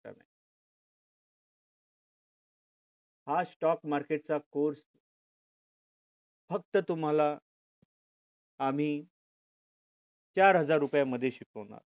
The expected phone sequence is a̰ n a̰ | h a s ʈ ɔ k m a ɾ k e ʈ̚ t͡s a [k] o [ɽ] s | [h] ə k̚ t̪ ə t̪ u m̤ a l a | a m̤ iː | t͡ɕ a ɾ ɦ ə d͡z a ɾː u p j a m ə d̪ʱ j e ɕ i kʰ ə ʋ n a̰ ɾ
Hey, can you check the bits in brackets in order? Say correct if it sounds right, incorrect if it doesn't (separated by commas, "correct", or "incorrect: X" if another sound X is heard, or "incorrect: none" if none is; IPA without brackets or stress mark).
correct, incorrect: ɾ, incorrect: f